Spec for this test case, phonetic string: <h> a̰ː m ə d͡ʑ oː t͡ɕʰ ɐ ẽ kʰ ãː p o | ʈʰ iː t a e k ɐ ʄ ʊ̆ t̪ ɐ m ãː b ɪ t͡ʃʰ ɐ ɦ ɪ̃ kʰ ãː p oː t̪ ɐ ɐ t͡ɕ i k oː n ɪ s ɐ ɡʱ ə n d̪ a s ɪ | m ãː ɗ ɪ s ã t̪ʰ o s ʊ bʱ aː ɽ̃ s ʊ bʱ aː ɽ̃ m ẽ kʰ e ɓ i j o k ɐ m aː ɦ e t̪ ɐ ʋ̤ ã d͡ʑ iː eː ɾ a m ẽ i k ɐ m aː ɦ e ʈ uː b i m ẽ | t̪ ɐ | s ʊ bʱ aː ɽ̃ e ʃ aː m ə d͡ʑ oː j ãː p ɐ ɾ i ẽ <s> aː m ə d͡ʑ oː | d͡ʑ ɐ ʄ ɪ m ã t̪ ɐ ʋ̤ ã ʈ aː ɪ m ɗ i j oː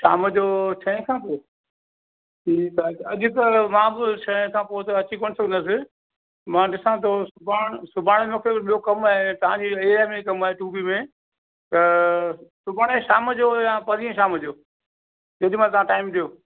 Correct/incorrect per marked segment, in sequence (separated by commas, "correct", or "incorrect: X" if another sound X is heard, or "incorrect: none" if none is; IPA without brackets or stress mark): incorrect: ʃ, incorrect: ʃ